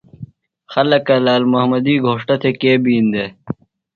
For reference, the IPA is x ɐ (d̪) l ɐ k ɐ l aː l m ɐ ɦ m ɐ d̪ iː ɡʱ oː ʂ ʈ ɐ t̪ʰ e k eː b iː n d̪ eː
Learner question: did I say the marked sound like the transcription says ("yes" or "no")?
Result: no